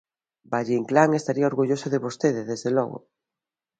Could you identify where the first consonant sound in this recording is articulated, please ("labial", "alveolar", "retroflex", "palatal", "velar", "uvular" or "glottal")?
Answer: labial